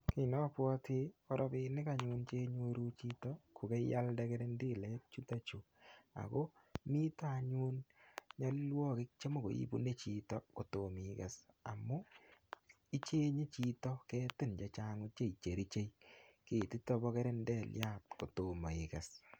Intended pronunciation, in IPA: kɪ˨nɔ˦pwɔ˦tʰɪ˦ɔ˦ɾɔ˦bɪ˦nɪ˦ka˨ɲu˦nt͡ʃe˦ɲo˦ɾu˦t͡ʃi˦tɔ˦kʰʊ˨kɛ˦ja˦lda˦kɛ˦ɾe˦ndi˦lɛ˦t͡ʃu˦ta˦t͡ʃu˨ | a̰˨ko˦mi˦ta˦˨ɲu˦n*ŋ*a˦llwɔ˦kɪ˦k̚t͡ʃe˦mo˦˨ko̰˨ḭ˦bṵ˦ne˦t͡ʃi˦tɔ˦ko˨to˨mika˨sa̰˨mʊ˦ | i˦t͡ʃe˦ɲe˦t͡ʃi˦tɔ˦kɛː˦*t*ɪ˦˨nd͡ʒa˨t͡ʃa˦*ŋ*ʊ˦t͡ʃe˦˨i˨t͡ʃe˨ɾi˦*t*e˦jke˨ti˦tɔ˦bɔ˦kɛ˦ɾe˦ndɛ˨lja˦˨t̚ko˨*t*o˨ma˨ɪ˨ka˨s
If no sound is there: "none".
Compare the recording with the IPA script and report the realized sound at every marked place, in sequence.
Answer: ɲ, t, ŋ, t͡ʃ, t

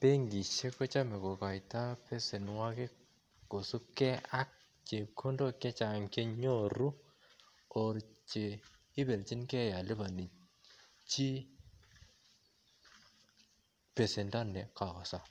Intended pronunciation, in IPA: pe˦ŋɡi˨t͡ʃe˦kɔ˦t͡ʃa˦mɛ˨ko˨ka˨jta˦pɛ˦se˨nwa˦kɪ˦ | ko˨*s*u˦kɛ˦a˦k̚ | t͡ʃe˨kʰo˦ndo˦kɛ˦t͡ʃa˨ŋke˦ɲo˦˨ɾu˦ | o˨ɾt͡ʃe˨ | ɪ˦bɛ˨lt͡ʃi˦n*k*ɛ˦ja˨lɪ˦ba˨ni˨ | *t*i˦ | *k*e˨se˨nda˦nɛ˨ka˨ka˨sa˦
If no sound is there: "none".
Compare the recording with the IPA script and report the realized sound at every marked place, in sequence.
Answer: s, k, t͡ʃ, p

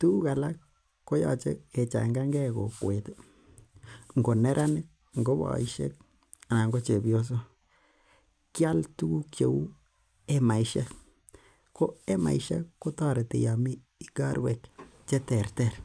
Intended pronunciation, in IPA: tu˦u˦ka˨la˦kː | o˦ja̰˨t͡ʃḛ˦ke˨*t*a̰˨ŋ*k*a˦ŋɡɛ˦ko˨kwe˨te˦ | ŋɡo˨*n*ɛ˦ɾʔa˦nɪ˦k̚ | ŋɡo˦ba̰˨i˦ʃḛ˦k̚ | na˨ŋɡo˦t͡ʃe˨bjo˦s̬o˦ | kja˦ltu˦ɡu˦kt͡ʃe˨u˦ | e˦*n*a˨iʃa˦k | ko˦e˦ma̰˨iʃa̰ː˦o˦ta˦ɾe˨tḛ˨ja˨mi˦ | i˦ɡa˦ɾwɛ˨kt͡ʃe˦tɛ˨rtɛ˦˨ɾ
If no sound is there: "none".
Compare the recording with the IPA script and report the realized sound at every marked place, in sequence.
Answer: t͡ʃ, ɡ, n, m

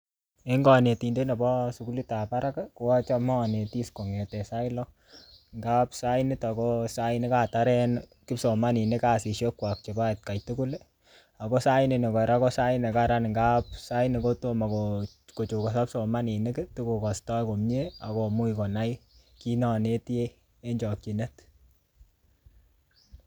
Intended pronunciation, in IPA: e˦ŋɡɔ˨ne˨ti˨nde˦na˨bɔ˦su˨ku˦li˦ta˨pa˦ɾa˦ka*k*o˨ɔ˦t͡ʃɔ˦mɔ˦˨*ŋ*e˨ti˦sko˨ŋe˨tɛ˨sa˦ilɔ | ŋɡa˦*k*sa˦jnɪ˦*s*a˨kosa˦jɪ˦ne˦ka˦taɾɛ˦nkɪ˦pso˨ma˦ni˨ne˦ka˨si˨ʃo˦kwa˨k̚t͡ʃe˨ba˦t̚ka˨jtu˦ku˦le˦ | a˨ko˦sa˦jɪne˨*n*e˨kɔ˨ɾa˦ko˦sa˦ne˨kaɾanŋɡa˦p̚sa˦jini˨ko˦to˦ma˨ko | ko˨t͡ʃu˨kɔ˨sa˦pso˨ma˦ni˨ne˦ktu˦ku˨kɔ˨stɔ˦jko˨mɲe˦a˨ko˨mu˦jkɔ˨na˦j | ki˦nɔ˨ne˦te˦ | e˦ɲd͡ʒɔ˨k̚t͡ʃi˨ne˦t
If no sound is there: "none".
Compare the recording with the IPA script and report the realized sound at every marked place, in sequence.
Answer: k, n, p, t, n

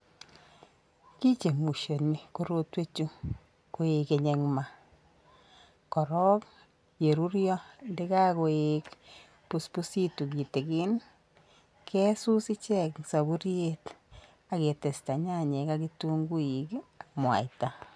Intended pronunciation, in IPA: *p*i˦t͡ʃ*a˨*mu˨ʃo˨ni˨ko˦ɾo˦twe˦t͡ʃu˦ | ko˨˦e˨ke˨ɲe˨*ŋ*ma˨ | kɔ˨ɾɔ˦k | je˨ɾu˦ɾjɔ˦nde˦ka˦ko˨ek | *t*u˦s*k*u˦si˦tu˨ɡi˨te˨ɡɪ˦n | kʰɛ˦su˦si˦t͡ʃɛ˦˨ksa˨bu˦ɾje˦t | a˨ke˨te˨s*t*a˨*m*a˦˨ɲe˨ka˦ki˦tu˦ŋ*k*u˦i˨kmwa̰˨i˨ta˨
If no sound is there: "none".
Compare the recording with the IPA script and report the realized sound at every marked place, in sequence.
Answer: k, e˨, ŋ, p, p, t, ɲ, ɡ

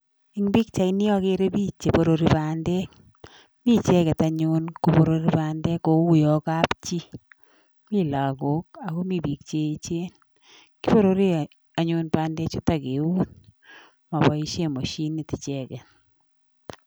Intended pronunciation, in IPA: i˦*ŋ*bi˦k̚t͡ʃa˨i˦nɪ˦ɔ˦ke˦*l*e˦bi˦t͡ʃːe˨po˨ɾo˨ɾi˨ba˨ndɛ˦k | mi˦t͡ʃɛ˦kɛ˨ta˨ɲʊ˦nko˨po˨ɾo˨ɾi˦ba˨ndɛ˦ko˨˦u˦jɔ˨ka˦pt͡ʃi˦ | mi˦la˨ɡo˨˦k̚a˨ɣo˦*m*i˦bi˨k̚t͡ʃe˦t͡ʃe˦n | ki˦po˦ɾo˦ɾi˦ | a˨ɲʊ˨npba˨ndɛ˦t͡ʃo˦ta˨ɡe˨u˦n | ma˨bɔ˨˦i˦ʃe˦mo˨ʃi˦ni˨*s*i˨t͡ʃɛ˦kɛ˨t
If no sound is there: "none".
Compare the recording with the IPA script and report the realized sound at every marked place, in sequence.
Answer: ŋ, ɾ, m, t

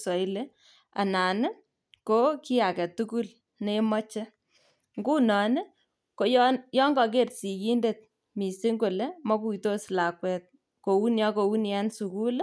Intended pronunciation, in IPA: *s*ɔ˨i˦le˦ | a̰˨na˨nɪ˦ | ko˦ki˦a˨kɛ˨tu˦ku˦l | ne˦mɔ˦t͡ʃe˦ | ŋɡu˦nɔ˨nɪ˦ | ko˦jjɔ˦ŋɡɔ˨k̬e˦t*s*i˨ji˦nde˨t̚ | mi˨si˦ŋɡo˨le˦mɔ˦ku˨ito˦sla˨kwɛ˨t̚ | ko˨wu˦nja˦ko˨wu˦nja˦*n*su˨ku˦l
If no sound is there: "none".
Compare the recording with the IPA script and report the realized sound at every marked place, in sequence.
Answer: s, s, n

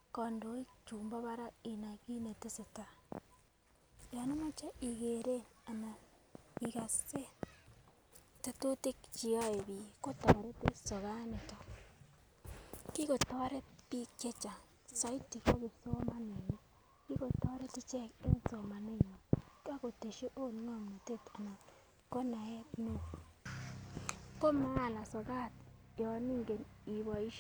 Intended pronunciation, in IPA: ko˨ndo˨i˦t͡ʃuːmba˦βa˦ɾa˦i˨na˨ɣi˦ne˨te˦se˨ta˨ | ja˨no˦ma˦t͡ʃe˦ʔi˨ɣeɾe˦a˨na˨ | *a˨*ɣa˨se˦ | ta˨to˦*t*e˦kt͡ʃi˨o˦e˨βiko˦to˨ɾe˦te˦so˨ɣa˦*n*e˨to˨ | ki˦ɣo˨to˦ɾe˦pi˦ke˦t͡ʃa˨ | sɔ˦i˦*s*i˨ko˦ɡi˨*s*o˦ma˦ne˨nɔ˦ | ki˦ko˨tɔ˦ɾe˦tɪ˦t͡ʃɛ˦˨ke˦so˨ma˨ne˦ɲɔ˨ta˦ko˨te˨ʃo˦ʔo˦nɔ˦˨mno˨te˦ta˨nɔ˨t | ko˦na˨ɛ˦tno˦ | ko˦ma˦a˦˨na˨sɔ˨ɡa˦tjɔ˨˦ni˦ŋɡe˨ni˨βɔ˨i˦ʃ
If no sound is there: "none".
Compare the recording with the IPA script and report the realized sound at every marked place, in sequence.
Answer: i˨, t, n, t, s

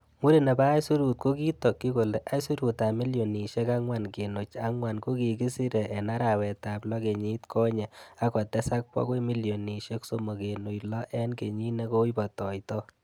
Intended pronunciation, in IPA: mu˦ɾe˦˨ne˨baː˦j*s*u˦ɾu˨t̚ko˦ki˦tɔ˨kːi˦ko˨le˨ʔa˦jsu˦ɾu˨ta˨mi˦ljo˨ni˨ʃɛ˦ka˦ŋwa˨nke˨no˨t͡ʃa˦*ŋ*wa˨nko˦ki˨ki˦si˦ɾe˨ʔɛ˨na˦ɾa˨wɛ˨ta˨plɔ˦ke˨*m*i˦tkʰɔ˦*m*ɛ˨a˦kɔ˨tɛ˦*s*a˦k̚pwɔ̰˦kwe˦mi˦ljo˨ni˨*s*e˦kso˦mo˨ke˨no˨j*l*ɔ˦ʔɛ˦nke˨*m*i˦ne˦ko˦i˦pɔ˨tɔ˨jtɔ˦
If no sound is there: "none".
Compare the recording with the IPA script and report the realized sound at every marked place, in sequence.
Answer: s, ŋ, ɲ, ɲ, s, ʃ, l, ɲ

